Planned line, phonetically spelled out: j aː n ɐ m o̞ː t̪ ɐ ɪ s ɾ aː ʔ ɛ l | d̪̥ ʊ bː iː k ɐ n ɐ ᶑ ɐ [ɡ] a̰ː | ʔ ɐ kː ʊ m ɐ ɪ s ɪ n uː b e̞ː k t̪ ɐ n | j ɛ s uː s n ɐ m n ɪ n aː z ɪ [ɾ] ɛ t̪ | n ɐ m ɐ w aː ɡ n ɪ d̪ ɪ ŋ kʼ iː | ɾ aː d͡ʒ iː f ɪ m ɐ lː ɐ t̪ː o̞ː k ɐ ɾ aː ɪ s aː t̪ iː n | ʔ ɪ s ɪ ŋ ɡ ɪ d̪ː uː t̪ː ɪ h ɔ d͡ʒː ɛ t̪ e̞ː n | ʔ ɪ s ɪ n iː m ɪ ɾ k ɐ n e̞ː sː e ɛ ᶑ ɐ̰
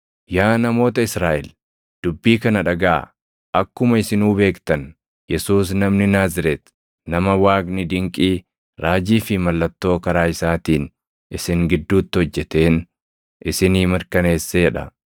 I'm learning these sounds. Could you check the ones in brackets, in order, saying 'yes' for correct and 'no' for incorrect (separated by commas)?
yes, yes